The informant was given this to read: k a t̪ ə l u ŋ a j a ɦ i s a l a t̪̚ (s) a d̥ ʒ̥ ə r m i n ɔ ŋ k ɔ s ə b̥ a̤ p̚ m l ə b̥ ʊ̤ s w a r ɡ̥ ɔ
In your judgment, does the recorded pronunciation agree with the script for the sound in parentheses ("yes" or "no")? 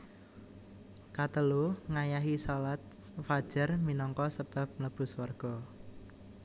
no